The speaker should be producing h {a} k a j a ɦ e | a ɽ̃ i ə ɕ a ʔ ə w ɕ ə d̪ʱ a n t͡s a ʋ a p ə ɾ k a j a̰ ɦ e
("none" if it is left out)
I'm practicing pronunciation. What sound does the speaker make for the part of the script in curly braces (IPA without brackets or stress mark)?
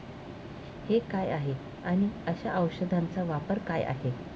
e